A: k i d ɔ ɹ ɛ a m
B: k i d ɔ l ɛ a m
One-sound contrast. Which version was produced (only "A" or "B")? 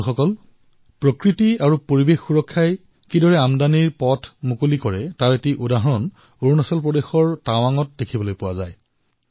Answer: A